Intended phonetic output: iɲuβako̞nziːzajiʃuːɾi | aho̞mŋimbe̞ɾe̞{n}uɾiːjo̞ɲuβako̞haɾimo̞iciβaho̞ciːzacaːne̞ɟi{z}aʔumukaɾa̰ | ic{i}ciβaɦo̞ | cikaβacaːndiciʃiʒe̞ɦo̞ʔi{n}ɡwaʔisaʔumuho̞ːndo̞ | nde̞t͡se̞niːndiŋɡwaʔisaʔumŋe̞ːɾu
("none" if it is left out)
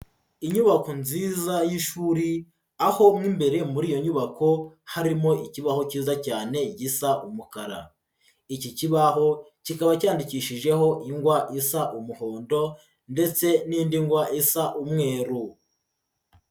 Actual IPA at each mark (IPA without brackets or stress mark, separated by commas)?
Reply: m, s, i, ŋ